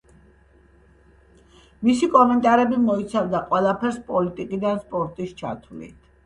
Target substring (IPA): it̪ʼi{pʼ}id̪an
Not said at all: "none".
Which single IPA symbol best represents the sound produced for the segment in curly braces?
kʼ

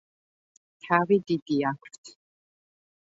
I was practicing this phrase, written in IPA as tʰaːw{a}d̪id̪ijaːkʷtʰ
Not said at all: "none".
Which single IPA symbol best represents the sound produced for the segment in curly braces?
i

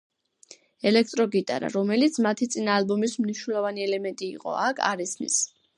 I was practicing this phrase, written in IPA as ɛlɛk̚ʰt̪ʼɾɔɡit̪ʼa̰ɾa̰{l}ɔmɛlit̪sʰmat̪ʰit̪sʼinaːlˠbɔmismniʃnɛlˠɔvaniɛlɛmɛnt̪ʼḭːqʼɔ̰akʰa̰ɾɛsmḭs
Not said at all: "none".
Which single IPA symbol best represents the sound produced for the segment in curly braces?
ɾ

